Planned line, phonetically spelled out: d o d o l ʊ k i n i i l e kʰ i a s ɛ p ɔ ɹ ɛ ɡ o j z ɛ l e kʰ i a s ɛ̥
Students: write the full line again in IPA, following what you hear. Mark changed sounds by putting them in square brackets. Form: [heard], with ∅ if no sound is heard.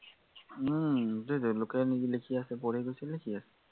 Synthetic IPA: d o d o l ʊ k [ɛ] n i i l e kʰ i a s ɛ p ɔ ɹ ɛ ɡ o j [s] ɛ l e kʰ i a s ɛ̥